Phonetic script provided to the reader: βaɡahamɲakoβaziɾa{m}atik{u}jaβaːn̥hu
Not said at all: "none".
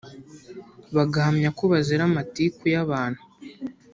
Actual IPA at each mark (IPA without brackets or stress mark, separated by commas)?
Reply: m, u